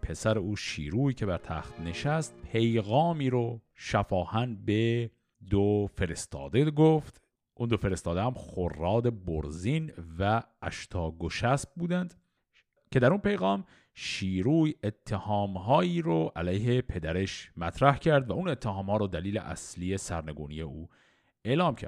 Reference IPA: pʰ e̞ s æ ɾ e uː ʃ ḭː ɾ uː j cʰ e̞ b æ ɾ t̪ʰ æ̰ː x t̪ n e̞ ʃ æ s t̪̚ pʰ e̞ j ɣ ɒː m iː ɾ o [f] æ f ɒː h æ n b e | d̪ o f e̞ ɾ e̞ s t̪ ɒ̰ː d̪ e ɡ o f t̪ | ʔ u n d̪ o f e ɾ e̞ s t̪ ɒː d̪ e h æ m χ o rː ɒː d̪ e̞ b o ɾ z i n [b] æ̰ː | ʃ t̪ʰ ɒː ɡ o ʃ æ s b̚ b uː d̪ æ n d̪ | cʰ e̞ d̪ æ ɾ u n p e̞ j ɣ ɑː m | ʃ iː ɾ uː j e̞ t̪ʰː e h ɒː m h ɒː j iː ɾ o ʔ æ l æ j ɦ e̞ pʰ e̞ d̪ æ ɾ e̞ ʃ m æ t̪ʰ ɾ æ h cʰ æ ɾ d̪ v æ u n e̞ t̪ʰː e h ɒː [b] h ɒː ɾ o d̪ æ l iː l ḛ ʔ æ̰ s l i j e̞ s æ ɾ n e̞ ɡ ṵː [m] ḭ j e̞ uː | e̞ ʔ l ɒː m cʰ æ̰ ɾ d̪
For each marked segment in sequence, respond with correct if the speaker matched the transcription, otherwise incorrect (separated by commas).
incorrect, incorrect, incorrect, incorrect